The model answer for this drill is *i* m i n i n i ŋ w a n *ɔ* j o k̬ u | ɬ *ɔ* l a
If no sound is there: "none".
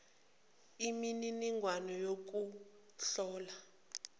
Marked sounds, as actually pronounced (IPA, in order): i, ɔ, ɔː

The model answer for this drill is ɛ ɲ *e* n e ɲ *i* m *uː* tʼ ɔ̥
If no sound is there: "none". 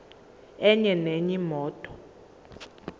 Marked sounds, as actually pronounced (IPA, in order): ɛ, i, ɔː

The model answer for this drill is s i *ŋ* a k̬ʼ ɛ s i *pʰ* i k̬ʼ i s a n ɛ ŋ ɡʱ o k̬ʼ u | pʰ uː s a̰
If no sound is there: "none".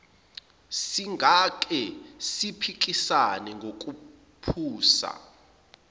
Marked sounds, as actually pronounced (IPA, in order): ŋ, pʰ

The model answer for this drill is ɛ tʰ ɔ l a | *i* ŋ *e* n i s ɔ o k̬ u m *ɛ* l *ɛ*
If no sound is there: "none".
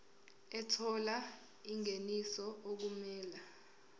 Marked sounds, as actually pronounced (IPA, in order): i, e, ɛː, a

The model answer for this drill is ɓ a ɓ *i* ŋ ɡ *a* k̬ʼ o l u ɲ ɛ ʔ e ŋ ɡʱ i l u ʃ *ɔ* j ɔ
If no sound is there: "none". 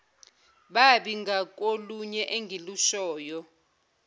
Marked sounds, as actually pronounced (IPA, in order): i, a, ɔː

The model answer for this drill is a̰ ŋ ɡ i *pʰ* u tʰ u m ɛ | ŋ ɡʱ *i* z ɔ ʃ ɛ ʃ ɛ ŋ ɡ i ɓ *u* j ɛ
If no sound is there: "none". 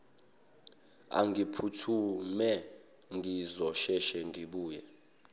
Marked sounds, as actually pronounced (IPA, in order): pʰ, i, uː

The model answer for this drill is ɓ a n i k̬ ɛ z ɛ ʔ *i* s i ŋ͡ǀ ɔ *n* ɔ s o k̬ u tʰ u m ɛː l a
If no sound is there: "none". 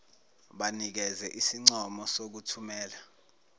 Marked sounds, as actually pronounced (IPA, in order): i, m

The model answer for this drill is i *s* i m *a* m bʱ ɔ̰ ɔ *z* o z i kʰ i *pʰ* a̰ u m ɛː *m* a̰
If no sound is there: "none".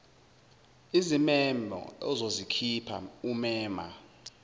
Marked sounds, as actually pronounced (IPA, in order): z, ɛ, z, pʰ, m

